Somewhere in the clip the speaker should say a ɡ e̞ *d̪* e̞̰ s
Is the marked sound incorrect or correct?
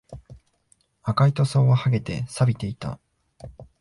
incorrect: t̪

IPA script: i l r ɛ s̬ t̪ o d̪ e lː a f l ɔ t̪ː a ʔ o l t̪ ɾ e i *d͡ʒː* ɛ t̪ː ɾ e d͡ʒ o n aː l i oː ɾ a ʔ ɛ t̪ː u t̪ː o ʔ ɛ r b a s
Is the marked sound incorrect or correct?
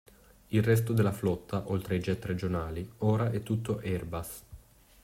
incorrect: d͡ʒ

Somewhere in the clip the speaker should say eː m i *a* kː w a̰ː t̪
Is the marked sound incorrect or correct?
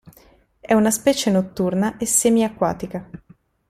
correct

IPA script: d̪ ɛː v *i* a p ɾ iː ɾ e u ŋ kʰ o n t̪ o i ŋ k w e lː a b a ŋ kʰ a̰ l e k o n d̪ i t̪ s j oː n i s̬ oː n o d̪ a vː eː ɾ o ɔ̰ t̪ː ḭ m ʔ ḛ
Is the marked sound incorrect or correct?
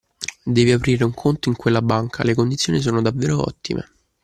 correct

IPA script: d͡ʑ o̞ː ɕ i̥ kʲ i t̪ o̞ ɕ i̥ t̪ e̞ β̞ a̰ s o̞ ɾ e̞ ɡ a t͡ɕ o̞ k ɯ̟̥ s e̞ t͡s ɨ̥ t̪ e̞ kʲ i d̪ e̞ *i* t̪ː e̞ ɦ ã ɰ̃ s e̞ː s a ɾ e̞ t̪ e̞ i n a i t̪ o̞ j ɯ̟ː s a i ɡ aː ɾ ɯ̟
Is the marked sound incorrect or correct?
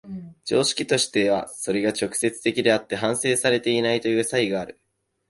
incorrect: a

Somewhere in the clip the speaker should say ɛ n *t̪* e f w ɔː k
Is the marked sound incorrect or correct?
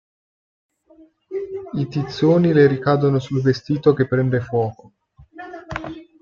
incorrect: d̪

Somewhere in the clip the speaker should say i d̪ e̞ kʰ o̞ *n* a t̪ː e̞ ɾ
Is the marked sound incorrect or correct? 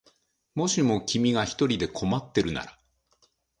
incorrect: m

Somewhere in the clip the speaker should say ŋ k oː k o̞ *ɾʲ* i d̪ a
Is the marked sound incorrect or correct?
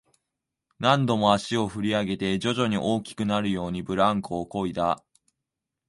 incorrect: none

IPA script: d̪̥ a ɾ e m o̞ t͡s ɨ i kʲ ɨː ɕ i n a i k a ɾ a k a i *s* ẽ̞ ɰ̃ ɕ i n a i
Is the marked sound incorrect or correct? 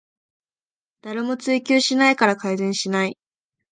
incorrect: z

